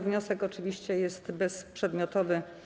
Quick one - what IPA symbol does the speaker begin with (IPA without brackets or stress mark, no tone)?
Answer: v